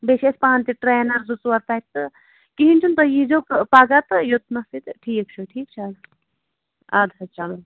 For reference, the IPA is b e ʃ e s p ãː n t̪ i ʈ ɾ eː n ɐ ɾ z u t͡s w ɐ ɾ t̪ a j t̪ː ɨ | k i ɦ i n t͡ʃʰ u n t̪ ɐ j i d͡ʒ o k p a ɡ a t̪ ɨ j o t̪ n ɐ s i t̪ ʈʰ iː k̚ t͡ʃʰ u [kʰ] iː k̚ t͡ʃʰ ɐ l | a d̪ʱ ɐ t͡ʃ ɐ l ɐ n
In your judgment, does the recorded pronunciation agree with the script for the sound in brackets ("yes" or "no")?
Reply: no